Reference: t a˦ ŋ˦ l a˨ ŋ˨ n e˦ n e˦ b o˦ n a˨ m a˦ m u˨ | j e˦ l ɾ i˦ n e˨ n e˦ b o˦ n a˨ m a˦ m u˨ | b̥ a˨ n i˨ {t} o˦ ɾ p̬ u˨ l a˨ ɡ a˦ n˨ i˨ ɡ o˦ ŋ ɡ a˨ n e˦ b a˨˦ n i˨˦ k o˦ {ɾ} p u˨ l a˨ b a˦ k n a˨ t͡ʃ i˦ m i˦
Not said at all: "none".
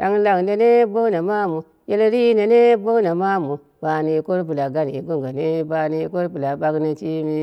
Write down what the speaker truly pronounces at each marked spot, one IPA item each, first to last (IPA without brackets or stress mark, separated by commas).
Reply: k, ɾ